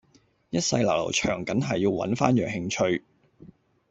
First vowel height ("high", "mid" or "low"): low